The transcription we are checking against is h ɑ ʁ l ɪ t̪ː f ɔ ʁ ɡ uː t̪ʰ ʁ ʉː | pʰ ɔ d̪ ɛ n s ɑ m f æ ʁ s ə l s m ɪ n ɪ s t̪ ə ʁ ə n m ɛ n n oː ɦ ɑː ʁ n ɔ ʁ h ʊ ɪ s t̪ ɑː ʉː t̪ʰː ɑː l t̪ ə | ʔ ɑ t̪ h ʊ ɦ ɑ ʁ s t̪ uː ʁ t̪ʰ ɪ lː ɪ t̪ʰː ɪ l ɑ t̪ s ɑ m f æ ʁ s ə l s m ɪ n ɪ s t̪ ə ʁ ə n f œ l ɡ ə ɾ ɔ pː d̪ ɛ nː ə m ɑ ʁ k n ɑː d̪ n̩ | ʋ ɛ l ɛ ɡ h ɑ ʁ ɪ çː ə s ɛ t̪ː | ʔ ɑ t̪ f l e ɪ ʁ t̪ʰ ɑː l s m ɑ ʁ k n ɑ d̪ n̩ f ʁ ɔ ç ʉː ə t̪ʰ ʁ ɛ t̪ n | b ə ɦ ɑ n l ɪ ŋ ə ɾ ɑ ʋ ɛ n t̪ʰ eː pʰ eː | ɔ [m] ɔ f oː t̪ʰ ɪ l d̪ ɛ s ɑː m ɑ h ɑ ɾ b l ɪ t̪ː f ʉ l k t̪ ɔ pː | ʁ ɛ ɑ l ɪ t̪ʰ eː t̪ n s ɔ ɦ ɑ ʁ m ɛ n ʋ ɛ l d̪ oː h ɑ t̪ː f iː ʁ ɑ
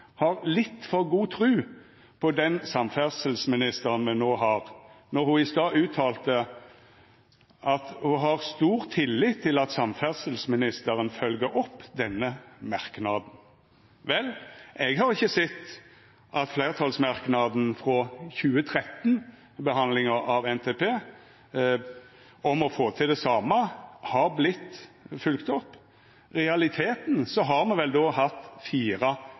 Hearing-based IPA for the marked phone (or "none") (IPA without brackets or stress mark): m